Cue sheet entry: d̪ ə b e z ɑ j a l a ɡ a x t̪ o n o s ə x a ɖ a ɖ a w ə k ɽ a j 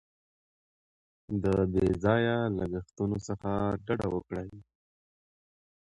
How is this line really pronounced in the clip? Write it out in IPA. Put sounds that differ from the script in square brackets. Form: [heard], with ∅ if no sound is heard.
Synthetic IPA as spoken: d̪ ə b e z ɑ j a l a ɡ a x t̪ [u] n o s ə x a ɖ a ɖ a w ə k ɽ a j